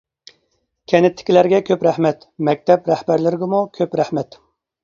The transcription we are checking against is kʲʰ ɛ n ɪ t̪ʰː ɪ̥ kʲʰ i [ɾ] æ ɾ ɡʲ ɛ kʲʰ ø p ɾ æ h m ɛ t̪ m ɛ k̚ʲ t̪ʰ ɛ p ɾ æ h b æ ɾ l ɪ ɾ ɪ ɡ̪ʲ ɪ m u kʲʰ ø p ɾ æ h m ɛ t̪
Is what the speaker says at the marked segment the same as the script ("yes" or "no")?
no